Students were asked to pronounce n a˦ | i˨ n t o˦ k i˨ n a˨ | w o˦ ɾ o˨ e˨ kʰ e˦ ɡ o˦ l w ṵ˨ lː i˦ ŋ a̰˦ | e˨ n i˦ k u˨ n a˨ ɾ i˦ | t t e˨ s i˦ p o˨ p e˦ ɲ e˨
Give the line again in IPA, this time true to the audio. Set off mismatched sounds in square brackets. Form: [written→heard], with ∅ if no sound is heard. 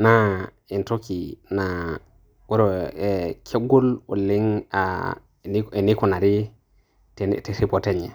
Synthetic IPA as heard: n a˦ | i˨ n t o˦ k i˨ n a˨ | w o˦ ɾ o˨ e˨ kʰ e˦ ɡ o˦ l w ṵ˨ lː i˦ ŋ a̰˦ | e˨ n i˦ k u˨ n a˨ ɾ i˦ | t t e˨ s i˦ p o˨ [p→t] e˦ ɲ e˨

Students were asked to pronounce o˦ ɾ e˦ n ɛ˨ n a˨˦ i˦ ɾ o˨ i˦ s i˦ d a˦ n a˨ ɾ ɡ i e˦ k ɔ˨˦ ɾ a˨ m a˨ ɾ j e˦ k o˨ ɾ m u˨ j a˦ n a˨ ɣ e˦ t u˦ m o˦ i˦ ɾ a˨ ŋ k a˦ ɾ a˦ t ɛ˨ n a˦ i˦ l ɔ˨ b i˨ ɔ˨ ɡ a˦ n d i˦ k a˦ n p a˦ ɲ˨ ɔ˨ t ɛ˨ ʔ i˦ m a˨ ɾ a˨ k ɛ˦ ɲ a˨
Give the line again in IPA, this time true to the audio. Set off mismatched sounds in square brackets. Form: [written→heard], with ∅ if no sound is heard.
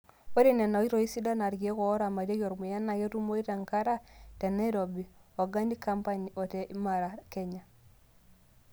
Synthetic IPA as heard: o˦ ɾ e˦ n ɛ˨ n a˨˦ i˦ ɾ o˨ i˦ s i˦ d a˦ n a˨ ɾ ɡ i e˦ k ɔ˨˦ ɾ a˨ m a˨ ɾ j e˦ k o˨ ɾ m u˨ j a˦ n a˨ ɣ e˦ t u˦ m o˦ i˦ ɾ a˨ ŋ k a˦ ɾ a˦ t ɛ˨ n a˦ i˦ [l→ɾ] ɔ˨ b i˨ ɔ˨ ɡ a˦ n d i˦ k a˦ [n→m] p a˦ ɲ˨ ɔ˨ t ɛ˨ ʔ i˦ m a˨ ɾ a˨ k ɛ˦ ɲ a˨

